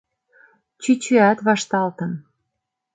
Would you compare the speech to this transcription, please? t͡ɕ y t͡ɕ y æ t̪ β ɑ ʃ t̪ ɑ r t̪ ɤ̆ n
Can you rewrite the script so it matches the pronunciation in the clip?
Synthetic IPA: t͡ɕ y t͡ɕ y æ t̪ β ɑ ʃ t̪ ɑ l t̪ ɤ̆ n

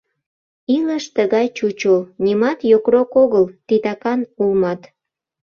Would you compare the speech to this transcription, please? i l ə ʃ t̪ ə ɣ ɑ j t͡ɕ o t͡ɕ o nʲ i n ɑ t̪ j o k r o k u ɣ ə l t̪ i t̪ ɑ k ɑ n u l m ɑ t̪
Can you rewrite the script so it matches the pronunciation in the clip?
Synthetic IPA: i l ə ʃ t̪ ə ɣ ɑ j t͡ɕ u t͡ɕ o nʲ i m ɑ t̪ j o k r o k o ɣ ə l t̪ i t̪ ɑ k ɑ n u l m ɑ t̪

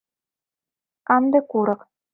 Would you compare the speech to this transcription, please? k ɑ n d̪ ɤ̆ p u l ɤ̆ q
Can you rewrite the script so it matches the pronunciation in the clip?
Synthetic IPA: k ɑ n d̪ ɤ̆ k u ɾ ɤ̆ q

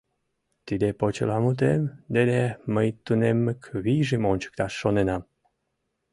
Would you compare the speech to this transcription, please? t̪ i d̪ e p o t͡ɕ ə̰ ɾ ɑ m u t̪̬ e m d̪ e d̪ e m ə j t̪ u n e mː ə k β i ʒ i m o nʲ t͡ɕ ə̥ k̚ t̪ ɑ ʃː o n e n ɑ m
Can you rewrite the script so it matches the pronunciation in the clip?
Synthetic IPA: t̪ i d̪ e p o t͡ɕ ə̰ l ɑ m u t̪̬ e m d̪ e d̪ e m ə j t̪ u n e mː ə k β i ʒ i m o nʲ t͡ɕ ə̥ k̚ t̪ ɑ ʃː o n e n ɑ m

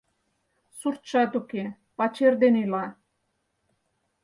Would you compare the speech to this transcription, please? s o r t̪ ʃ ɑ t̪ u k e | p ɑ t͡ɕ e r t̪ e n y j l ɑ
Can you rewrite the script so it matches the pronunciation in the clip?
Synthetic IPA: s u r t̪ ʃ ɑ t̪ u k e | p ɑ t͡ɕ e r d̪ e n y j l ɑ

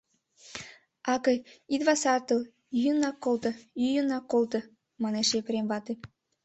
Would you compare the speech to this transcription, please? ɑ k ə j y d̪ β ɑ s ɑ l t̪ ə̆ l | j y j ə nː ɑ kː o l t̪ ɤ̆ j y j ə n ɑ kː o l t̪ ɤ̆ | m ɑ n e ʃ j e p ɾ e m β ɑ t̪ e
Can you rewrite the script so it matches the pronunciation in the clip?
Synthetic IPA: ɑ k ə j i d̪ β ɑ s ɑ r t̪ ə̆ l | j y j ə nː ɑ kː o l t̪ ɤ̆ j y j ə n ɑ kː o l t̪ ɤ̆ | m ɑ n e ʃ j e p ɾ e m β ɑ t̪ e

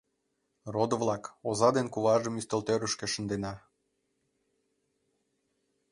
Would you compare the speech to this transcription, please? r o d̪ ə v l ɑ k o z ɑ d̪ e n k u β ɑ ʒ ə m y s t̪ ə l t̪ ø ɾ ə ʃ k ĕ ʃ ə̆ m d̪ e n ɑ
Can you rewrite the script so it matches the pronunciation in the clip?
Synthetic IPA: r o d̪ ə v l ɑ k o z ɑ d̪ e n k u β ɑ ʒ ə m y s t̪ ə l t̪ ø ɾ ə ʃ k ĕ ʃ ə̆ n d̪ e n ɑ

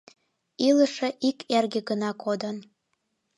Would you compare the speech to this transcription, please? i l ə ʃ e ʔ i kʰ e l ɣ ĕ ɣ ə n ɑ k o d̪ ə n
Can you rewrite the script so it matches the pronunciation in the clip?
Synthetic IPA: i l ə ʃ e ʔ i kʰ e r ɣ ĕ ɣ ə n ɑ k o d̪ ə n

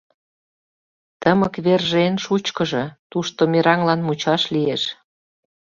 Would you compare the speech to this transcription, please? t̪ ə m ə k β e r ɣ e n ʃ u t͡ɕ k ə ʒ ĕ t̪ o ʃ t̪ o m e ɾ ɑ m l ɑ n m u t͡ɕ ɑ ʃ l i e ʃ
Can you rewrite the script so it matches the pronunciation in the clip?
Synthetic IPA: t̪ ə m ə k β e r ʒ e n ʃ u t͡ɕ k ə ʒ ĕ t̪ u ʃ t̪ o m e ɾ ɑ ŋ l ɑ n m u t͡ɕ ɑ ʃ l i e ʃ

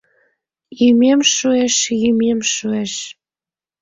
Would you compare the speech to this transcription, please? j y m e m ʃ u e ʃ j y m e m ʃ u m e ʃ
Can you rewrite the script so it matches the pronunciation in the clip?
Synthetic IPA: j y m e m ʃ u e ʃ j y m e m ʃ u e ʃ

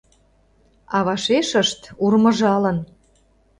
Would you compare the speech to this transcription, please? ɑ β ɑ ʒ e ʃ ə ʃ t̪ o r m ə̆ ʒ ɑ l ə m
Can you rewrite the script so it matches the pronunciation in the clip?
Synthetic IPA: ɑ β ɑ ʃ e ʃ ə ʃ t̪ u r m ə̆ ʒ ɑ l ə n

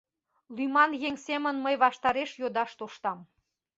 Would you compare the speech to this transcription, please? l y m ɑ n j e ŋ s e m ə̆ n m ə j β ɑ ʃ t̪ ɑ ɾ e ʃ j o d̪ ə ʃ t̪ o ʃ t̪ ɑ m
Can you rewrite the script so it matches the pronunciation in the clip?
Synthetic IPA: l y m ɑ n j e ŋ s e m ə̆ n m ə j β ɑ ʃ t̪ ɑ ɾ e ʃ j o d̪ ɑ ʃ t̪ o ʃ t̪ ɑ m

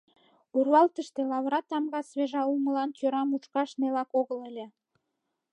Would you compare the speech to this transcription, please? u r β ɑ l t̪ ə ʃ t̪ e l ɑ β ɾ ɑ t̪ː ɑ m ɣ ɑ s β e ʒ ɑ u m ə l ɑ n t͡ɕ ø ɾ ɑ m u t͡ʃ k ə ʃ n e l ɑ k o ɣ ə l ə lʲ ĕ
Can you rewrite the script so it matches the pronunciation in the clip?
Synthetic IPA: u r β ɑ l t̪ ə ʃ t̪ e l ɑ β ɾ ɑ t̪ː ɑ m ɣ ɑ s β e ʒ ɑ u m ə l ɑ n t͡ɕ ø ɾ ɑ m u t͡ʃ k ɑ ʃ n e l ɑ k o ɣ ə l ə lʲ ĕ

